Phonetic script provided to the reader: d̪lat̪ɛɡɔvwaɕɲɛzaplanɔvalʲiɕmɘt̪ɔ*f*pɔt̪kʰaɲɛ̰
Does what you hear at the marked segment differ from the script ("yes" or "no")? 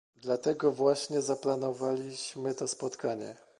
yes